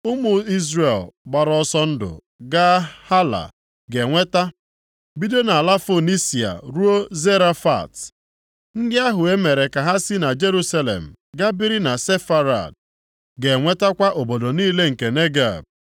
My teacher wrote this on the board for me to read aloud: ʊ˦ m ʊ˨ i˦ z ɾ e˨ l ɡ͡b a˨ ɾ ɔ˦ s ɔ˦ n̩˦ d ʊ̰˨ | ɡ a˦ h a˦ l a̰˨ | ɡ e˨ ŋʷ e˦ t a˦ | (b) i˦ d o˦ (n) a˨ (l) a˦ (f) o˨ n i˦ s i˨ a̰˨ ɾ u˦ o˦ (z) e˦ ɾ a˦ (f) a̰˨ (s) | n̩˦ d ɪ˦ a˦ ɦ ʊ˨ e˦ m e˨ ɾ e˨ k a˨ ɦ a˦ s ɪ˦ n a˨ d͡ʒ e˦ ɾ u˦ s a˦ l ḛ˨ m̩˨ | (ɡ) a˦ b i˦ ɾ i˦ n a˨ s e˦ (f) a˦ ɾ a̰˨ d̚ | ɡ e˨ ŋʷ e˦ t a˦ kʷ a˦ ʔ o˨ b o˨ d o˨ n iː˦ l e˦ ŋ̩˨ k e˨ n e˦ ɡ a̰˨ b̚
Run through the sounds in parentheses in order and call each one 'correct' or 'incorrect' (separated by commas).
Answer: correct, correct, correct, correct, correct, correct, incorrect, correct, correct